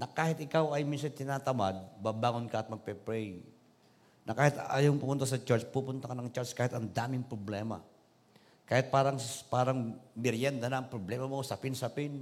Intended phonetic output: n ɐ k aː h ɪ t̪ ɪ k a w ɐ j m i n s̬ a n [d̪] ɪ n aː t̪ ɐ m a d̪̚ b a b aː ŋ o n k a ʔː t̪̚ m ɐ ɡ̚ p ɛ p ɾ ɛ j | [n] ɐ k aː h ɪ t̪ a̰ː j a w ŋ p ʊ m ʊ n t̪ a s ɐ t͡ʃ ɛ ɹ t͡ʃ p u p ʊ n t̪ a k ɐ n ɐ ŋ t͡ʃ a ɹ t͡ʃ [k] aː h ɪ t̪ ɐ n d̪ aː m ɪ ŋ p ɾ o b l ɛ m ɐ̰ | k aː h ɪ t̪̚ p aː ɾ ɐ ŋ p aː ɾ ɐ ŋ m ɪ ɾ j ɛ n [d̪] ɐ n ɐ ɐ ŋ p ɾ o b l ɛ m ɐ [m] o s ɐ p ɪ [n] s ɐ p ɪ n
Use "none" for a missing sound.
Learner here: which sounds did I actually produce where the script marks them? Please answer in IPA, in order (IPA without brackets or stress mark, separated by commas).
t̪, n, k, d̪, m, n